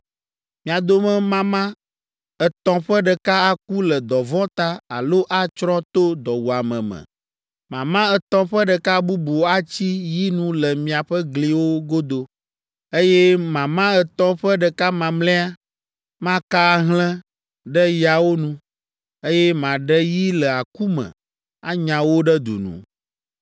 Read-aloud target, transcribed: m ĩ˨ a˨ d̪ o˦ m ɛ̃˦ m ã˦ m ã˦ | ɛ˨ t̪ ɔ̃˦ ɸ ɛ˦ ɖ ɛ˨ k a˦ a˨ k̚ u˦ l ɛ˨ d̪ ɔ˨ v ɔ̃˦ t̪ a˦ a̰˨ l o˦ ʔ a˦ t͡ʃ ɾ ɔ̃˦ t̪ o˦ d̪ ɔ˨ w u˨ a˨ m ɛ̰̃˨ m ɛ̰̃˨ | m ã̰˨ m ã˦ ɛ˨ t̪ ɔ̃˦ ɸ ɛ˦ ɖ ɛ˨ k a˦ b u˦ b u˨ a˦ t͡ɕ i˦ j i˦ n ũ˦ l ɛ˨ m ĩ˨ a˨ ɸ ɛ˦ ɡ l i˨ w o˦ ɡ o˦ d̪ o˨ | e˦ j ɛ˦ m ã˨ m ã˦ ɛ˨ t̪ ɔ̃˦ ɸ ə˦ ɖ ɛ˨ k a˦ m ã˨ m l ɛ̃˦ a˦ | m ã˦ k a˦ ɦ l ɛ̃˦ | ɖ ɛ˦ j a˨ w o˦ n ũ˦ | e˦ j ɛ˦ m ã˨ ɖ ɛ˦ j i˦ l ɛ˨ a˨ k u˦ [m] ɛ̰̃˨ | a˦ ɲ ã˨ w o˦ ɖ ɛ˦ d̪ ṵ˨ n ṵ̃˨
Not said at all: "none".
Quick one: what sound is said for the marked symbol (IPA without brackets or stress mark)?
m